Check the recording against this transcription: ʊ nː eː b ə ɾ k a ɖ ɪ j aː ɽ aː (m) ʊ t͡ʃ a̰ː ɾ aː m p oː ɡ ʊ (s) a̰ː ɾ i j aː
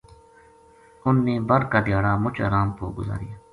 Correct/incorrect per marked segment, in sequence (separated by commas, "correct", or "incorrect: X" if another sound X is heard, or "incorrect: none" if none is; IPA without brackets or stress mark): correct, incorrect: z